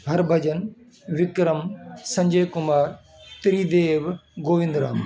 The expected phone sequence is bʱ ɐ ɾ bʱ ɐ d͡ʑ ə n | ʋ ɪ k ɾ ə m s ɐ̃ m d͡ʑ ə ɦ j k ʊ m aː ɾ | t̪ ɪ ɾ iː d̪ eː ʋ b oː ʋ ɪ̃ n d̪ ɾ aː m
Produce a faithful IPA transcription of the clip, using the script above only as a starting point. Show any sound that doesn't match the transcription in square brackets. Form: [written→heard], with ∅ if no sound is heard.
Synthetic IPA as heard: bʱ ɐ ɾ bʱ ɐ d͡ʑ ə n | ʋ ɪ k ɾ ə m s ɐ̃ [m→ɲ] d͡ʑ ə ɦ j k ʊ m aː ɾ | t̪ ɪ ɾ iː d̪ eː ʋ [b→ɡ] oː ʋ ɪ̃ n d̪ ɾ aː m